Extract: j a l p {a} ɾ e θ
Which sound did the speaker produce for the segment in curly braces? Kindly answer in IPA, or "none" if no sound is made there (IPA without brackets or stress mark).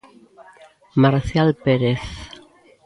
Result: e